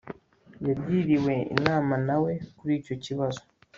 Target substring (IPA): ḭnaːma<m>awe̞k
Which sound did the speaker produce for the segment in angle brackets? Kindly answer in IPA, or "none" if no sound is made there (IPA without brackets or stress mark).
n